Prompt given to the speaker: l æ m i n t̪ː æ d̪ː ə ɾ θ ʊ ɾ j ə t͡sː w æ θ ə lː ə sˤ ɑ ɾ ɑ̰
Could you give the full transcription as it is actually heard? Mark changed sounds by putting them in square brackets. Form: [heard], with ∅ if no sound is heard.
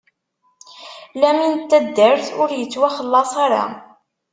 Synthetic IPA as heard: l æ m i n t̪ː æ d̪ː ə ɾ θ ʊ ɾ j ə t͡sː w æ [χ] ə lː [ɑ] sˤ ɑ ɾ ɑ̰